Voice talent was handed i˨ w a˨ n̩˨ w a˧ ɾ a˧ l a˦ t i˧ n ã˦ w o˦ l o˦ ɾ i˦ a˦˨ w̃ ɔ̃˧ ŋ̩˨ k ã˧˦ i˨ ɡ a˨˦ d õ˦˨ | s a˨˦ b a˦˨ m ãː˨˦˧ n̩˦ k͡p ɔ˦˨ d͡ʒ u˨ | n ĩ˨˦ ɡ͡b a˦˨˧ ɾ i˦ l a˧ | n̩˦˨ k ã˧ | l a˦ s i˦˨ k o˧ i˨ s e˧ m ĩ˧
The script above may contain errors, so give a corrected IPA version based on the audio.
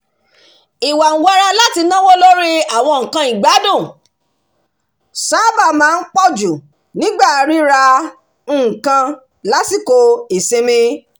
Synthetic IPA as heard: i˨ w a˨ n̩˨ w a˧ ɾ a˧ l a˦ t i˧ n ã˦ w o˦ l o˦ ɾ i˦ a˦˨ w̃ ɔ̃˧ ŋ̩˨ k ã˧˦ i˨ ɡ͡b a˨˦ d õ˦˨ | s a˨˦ b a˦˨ m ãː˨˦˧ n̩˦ k͡p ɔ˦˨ d͡ʒ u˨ | n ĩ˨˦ ɡ͡b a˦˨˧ ɾ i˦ ɾ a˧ | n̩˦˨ k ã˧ | l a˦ s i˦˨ k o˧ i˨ s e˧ m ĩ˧